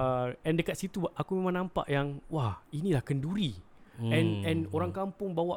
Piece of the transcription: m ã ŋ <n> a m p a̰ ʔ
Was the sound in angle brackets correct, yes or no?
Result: yes